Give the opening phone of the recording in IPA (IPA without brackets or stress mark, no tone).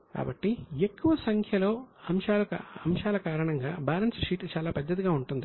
k